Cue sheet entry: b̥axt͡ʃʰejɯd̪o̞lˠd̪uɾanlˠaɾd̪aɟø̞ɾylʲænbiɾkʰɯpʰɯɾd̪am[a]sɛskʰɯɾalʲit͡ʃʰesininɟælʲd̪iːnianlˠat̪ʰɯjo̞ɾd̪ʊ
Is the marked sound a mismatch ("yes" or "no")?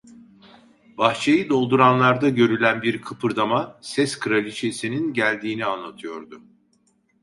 no